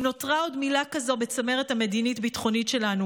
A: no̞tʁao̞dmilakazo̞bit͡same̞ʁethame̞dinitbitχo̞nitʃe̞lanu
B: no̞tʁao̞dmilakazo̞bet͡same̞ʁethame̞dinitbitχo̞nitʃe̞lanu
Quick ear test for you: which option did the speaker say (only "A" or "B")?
B